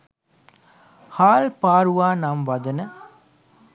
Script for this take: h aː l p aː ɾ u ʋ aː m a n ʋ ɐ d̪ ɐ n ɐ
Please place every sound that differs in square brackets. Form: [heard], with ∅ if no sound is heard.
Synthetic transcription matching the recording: h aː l p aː ɾ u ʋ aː [n] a [m] ʋ ɐ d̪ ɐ n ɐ

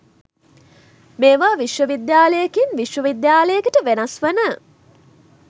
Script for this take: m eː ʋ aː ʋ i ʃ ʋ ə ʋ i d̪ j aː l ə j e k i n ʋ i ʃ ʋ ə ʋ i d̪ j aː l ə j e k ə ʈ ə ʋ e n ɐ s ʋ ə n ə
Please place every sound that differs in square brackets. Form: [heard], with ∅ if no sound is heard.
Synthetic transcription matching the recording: m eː ʋ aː ʋ i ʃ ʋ ə ʋ i d̪ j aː l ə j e k i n ʋ i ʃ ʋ ə ʋ i d̪ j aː l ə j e k ə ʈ ə ʋ e n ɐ s ʋ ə n ə

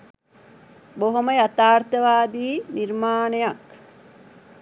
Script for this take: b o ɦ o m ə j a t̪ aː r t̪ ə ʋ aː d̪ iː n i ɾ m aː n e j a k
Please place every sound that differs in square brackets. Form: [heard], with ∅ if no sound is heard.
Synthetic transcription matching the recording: b o ɦ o m ə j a t̪ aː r t̪ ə ʋ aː d̪ iː n i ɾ m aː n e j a k

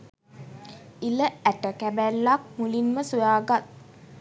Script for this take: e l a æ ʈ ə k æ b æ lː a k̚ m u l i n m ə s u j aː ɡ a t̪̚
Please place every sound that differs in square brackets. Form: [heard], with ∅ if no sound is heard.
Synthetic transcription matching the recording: [i] l [ə] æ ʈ ə k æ b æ lː a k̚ m u l i n m ə s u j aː ɡ a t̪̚

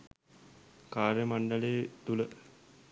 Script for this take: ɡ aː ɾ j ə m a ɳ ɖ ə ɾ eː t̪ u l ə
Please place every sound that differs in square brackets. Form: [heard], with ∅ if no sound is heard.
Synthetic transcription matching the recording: [k] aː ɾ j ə m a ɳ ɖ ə [l] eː t̪ u l ə

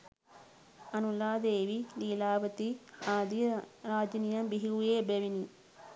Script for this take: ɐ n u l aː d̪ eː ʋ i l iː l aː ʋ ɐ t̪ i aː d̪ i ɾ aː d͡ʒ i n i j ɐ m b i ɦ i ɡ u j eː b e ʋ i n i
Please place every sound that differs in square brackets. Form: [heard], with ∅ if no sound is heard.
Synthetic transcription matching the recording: ɐ n u l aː d̪ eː ʋ i l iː l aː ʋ ɐ t̪ i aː d̪ i ɾ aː d͡ʒ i n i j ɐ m b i ɦ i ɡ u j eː b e ʋ i n i

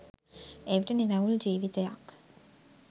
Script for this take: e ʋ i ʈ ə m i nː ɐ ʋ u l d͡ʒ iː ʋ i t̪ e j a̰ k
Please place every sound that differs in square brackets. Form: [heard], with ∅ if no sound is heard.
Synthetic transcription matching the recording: e ʋ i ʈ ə [n] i [n] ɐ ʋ u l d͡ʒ iː ʋ i t̪ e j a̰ k

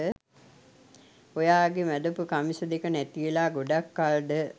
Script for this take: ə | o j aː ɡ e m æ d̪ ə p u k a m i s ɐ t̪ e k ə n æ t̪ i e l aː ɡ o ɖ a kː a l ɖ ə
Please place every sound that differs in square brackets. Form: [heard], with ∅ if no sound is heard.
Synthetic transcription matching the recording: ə | o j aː ɡ e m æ d̪ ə p u k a m i s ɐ [d̪] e k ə n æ t̪ i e l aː ɡ o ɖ a kː a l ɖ ə

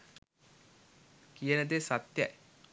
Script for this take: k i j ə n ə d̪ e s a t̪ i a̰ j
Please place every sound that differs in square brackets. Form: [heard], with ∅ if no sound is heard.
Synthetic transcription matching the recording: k i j ə n ə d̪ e s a t̪ [j] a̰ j

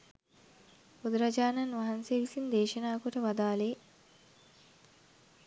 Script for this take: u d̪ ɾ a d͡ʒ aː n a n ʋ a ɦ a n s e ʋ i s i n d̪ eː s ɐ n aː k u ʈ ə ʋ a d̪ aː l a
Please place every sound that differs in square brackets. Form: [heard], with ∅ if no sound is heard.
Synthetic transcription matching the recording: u d̪ ɾ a d͡ʒ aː n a n ʋ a ɦ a n s e ʋ i s i n d̪ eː [ʃ] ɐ n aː k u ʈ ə ʋ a d̪ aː l [e]

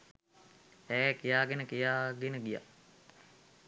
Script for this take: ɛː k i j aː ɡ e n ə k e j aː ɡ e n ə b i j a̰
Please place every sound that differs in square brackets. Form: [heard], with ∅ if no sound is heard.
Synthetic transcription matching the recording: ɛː k i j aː ɡ e n ə k [i] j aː ɡ e n ə [ɡ] i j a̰

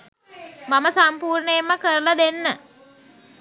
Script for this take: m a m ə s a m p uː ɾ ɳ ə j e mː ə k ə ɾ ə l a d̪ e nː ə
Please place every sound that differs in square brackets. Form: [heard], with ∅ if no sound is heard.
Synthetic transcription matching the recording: m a m ə s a m p uː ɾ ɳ ə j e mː ə k ə ɾ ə l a d̪ e nː ə

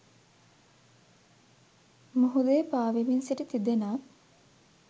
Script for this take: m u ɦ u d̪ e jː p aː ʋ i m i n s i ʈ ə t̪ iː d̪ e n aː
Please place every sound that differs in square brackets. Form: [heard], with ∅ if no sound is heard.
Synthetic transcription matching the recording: m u ɦ u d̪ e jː p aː ʋ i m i n s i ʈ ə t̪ [i] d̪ e n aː

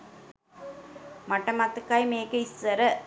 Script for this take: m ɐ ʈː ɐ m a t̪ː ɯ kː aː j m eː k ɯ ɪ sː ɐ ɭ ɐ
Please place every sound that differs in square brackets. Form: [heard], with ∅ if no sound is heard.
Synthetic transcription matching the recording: m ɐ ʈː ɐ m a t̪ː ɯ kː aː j m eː k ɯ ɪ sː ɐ [ɾ] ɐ

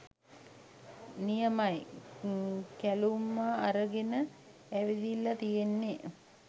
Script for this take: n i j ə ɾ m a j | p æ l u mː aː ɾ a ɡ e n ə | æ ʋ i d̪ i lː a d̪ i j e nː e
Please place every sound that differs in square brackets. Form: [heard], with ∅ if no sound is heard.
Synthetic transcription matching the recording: n i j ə [∅] m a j | [k] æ l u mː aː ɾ [ə] ɡ e n ə | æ ʋ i d̪ i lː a [t̪] i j e nː e

